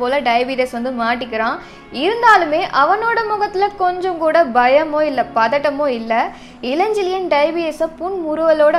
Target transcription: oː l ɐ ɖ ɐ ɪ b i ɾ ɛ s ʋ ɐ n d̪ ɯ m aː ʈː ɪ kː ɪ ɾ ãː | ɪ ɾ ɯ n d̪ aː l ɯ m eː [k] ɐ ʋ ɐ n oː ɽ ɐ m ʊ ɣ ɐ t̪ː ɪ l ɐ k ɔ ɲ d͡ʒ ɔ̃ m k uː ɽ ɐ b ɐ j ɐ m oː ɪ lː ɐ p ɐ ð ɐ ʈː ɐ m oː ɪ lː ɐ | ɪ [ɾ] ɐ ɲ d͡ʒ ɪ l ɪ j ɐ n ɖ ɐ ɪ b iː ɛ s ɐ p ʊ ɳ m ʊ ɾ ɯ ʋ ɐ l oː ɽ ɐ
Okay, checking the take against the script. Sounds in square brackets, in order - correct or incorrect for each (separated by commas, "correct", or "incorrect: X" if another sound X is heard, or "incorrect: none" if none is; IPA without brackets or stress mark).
incorrect: ʔ, incorrect: l